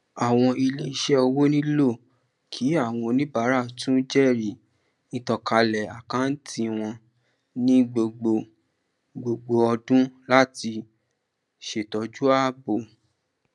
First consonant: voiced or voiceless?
voiced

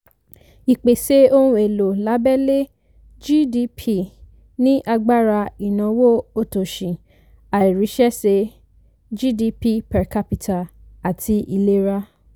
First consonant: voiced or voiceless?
voiceless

